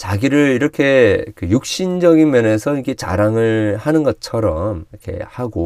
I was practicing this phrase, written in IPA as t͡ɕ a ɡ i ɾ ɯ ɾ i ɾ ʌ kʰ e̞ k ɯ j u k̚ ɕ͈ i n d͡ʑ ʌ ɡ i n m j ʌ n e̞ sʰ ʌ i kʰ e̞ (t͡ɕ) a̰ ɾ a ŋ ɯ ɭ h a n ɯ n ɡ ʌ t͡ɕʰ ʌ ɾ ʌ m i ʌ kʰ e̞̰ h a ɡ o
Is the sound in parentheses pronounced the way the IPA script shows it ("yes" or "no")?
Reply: yes